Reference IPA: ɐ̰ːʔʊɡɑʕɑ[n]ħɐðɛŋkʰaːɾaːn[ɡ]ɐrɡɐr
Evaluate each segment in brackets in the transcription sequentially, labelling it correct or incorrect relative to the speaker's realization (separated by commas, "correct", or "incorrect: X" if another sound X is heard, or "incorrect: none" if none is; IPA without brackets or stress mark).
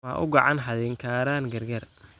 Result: correct, correct